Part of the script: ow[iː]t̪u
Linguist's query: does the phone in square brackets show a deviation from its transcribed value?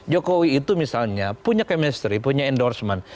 no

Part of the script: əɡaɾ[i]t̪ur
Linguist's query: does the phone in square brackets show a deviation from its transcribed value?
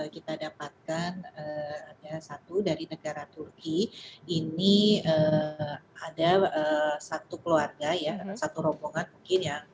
yes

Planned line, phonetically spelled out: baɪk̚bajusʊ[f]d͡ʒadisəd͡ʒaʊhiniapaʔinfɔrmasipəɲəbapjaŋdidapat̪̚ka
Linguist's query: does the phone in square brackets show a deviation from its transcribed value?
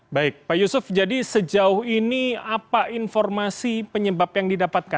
no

